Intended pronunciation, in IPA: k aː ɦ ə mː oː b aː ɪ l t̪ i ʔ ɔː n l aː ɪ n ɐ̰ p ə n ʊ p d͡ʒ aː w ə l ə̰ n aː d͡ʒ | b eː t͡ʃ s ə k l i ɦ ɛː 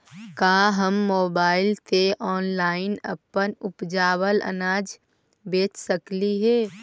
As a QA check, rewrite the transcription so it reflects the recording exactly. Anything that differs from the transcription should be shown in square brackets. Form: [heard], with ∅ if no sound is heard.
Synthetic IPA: k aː ɦ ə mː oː b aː ɪ l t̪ [e] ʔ ɔː n l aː ɪ n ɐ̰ p ə n ʊ p d͡ʒ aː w ə l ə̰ n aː d͡ʒ | b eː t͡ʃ s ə k l i ɦ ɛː

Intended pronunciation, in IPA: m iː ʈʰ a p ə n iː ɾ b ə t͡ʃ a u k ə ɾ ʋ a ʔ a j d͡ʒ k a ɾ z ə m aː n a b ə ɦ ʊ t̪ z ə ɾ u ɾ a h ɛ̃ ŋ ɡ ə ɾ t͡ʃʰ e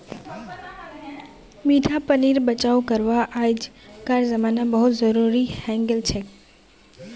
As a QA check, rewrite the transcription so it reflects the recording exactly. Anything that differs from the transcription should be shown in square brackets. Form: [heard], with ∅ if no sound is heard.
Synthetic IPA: m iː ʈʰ a p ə n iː ɾ b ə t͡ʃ a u k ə ɾ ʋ a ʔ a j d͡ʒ k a ɾ z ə m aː n a b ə ɦ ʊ t̪ z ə ɾ u ɾ [i] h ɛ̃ ŋ ɡ ə [l] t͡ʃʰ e

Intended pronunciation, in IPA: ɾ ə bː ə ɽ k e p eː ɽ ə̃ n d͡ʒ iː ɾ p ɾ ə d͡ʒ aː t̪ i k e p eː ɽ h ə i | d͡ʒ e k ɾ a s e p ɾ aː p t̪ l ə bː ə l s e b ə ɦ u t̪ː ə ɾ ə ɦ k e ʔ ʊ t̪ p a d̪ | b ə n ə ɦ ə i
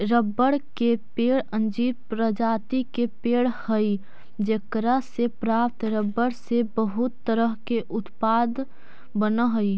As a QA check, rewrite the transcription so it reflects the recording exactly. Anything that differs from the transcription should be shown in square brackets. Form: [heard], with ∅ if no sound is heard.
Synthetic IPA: ɾ ə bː ə ɽ k e p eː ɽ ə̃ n d͡ʒ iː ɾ p ɾ ə d͡ʒ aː t̪ i k e p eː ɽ h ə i | d͡ʒ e k ɾ a s e p ɾ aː p t̪ [ɾ] ə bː ə [ɽ] s e b ə ɦ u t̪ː ə ɾ ə ɦ k e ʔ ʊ t̪ p a d̪ | b ə n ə ɦ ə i

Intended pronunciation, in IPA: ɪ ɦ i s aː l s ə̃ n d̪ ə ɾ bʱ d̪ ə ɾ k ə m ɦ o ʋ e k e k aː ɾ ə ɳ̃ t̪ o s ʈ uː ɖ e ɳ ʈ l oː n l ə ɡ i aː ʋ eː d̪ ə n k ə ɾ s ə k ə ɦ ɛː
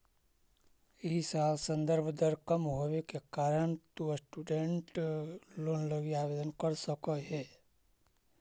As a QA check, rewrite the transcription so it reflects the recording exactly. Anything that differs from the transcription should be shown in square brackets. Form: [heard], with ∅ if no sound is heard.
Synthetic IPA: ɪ ɦ i s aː l s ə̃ n d̪ ə ɾ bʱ d̪ ə ɾ k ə m ɦ o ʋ e k e k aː ɾ ə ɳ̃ t̪ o s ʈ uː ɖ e ɳ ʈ l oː n l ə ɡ i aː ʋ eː d̪ ə n k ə ɾ s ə k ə ɦ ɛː

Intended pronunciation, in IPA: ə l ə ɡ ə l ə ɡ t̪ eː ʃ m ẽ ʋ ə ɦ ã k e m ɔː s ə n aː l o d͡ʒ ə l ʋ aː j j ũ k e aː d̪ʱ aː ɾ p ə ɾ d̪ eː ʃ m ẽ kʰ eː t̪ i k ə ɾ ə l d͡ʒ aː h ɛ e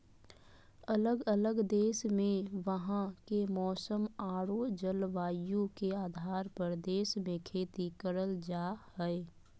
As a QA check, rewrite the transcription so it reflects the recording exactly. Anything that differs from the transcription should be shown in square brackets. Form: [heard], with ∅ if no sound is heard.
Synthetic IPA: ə l ə ɡ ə l ə ɡ [d̪] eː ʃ m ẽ ʋ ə ɦ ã k e m ɔː s ə [m] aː [ɽ] o d͡ʒ ə l ʋ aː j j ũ k e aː d̪ʱ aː ɾ p ə ɾ d̪ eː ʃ m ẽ kʰ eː t̪ i k ə ɾ ə l d͡ʒ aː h ɛ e

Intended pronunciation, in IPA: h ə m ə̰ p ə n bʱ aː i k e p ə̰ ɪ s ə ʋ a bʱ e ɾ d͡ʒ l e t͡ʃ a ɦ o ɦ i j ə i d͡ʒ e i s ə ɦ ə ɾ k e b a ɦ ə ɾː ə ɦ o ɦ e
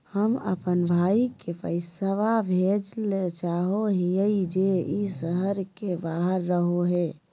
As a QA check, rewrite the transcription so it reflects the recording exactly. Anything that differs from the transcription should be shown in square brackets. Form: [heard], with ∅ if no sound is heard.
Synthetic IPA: h ə m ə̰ p ə n bʱ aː i k e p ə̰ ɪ s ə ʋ a bʱ e [∅] d͡ʒ l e t͡ʃ a ɦ o ɦ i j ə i d͡ʒ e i s ə ɦ ə ɾ k e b a ɦ ə ɾː ə ɦ o ɦ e

